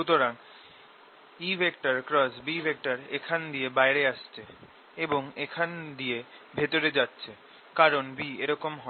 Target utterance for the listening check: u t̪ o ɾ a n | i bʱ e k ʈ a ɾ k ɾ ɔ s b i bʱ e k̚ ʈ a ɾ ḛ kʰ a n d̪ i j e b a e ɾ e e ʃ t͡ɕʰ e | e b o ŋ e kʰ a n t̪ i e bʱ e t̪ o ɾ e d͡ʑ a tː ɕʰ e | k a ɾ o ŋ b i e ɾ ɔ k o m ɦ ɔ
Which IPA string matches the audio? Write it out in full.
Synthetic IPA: u t̪ o ɾ a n | i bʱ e k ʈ a ɾ k ɾ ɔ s b i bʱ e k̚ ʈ a ɾ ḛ kʰ a n d̪ i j e b a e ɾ e a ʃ t͡ɕʰ e | e b o ŋ e kʰ a n d̪ i e bʱ e t̪ o ɾ e d͡ʑ a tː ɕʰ e | k a ɾ o n b i e ɾ ɔ k o m ɦ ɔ

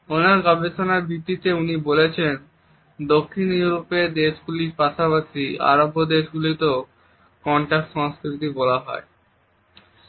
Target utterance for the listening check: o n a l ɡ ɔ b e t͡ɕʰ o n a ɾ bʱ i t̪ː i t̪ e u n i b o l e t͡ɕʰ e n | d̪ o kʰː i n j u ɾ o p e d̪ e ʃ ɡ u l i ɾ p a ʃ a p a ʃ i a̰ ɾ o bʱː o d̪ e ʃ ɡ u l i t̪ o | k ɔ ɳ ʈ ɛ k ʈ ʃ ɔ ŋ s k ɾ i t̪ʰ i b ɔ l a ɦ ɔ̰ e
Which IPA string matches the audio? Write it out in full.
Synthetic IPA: o n a ɾ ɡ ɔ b e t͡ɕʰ o n a ɾ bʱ i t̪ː i t̪ e u n i b o l e t͡ɕʰ e n | d̪ o kʰː i n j u ɾ o p e d̪ e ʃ ɡ u l i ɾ p a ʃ a p a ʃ i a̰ ɾ o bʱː o d̪ e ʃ ɡ u l i t̪ o | k ɔ ɳ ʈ a k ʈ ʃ ɔ ŋ s k ɾ i t̪ i b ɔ l a ɦ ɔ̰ e

